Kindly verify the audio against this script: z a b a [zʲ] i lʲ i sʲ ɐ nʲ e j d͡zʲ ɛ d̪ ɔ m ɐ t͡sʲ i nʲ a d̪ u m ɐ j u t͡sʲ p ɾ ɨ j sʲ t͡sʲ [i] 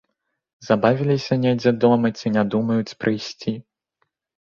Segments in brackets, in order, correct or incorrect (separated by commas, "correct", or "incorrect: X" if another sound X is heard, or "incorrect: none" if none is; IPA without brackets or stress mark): incorrect: vʲ, correct